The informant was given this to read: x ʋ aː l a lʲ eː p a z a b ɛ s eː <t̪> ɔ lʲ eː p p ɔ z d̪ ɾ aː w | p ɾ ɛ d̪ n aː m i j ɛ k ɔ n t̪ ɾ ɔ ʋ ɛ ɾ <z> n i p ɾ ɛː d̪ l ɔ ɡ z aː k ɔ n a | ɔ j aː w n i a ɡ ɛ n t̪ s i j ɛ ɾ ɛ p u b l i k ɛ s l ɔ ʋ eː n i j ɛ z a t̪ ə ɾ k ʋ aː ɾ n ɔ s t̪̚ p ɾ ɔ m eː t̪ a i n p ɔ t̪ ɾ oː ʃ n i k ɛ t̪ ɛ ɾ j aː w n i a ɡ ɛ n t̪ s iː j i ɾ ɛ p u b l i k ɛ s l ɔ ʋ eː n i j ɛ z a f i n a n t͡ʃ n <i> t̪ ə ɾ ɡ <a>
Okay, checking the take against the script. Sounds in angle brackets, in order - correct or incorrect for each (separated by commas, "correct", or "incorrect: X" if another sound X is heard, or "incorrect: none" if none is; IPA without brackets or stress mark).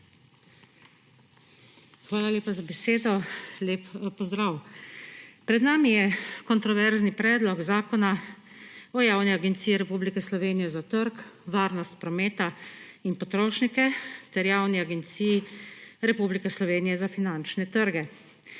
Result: incorrect: d̪, correct, incorrect: ɛ, incorrect: ɛ